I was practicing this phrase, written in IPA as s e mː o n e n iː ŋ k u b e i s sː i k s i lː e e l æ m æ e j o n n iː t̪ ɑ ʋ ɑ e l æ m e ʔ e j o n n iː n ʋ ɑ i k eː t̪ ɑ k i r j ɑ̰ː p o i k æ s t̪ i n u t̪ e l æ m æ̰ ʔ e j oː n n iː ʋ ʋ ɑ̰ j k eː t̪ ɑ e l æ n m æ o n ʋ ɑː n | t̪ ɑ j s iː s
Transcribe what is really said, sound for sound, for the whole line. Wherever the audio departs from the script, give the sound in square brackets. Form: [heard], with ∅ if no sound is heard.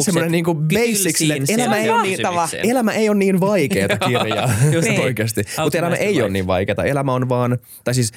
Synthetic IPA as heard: s e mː o n e n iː ŋ k u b e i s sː i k s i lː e e l æ m æ e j o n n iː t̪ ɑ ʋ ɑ e l æ m [æ] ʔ e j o n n iː n ʋ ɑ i k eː t̪ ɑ k i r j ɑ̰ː p o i k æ s t̪ i [m] u t̪ e l æ m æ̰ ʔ e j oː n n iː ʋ ʋ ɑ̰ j k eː t̪ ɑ e l æ [∅] m æ o n ʋ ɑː n | t̪ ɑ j s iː s